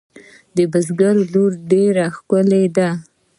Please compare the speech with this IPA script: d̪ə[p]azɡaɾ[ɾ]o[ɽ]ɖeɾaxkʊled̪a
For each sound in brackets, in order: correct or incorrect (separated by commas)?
incorrect, incorrect, incorrect